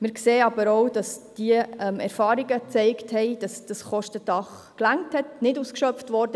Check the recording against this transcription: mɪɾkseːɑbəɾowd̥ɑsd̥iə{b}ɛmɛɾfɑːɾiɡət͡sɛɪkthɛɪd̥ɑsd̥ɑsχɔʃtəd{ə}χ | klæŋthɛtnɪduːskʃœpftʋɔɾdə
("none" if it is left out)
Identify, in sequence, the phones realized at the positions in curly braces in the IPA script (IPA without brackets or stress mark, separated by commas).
none, ɑ